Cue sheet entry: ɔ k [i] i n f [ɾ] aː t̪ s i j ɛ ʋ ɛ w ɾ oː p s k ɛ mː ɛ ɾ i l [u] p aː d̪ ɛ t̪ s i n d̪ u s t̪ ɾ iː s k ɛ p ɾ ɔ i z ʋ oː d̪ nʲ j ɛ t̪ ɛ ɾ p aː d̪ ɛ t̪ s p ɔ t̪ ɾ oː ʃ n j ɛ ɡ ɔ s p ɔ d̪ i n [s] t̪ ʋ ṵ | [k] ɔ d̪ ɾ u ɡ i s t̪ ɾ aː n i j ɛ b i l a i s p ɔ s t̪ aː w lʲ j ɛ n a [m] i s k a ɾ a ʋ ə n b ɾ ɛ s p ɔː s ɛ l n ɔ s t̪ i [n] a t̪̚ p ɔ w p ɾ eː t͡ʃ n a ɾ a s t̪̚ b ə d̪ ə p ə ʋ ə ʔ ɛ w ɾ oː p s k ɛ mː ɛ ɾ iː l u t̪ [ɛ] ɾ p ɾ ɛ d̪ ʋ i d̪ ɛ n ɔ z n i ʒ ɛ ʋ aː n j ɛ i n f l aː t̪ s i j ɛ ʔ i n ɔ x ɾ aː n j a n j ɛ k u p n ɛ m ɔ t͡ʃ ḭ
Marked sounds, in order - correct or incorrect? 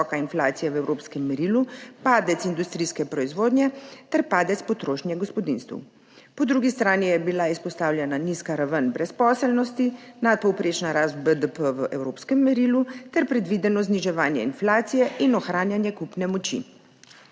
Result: incorrect: a, incorrect: l, correct, correct, incorrect: p, incorrect: n, correct, correct

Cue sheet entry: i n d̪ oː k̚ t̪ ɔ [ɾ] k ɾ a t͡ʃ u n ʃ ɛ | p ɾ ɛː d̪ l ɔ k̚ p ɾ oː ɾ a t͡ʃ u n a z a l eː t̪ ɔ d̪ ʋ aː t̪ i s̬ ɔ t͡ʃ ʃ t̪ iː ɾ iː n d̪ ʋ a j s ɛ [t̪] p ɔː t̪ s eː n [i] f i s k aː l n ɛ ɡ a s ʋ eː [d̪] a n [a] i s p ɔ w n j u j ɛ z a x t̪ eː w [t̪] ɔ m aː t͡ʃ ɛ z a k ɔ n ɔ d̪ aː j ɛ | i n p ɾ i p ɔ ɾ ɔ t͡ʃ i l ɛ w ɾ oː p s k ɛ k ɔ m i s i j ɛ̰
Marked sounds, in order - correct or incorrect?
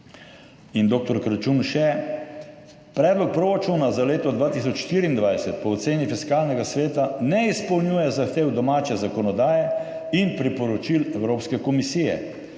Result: correct, correct, correct, incorrect: t̪, incorrect: ɛ, incorrect: d̪

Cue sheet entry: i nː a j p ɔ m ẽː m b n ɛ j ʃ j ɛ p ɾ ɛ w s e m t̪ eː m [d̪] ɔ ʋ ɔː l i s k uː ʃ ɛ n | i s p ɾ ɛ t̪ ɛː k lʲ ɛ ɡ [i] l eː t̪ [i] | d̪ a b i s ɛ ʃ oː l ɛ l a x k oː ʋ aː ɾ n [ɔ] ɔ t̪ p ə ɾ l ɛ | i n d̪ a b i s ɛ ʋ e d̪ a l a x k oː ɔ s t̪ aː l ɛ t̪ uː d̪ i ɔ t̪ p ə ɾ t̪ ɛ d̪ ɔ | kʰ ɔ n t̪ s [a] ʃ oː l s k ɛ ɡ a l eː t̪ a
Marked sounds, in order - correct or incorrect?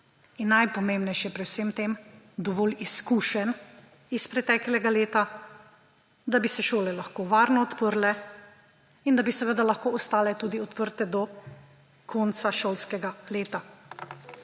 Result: correct, incorrect: a, incorrect: a, correct, correct

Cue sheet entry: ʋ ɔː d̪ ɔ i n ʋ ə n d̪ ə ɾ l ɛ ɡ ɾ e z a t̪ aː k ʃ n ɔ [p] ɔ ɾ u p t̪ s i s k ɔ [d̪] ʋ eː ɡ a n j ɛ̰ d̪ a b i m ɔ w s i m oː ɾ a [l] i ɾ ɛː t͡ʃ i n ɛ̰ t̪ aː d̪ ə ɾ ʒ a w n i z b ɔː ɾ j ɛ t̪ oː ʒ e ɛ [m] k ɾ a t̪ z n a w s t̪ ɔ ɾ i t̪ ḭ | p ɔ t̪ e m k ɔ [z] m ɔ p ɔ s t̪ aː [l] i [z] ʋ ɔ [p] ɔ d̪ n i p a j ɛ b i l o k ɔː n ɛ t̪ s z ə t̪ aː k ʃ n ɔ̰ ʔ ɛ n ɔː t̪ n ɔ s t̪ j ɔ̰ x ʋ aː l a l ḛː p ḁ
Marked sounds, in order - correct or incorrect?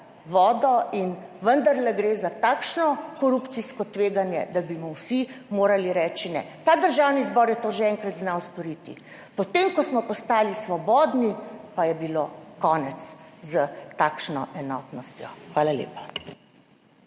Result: incorrect: k, incorrect: t̪, correct, incorrect: ŋ, incorrect: s, correct, incorrect: s, incorrect: b

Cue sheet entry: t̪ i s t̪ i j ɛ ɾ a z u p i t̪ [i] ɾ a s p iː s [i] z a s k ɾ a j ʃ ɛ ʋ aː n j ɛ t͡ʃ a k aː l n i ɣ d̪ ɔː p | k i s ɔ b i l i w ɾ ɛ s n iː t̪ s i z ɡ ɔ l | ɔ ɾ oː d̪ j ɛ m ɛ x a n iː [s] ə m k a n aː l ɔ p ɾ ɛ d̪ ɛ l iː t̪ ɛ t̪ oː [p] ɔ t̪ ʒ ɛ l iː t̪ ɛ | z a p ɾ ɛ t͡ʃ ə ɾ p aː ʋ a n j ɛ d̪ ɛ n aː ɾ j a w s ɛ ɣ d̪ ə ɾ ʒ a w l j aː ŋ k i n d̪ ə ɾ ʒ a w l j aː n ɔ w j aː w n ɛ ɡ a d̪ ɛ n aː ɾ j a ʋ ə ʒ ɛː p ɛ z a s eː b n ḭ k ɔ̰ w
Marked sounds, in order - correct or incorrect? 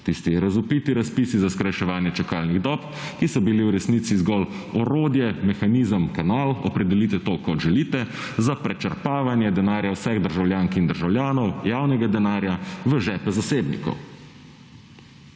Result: correct, correct, incorrect: z, incorrect: k

